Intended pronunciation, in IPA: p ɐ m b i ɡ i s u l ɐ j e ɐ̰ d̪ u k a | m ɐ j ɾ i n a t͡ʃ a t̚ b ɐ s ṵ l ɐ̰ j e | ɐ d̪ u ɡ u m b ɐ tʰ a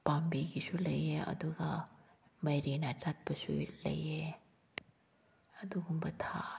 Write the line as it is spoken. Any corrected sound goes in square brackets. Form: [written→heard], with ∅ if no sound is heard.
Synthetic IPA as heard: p [ɐ→a] m b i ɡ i s u l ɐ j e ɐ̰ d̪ u [k→ɡ] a | m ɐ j ɾ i n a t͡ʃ a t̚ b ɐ s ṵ l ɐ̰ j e | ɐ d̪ u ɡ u m b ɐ tʰ a